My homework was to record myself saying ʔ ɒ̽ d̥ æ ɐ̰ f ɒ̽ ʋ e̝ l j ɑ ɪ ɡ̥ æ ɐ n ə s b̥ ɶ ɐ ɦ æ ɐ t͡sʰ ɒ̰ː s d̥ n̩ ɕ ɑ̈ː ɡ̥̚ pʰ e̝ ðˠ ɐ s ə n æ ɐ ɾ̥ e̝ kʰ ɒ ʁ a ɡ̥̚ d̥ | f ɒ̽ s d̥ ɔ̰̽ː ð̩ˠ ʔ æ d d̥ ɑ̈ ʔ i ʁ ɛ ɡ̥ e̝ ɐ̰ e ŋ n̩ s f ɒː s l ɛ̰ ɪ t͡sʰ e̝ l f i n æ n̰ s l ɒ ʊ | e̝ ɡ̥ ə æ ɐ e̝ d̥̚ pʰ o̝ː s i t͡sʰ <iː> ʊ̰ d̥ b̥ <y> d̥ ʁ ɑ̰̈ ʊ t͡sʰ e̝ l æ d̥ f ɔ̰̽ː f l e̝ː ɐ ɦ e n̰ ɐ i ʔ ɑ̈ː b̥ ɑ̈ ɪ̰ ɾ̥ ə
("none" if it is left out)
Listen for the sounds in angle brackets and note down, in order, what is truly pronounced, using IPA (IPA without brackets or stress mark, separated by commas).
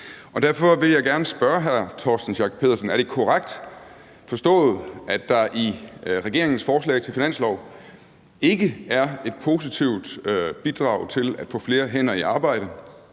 i, i